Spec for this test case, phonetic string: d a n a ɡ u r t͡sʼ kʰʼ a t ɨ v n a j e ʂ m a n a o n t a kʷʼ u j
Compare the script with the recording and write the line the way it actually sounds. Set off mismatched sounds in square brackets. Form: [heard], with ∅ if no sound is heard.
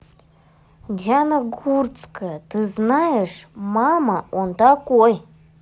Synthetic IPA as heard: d a n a ɡ u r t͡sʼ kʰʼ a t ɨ [z] n a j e ʂ m a [m] a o n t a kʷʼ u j